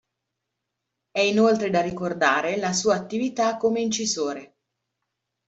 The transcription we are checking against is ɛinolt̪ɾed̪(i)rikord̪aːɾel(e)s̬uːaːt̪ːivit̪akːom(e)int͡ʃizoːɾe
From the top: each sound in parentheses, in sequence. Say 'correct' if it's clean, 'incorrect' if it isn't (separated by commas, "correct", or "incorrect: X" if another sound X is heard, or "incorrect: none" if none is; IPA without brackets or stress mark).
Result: incorrect: a, incorrect: a, correct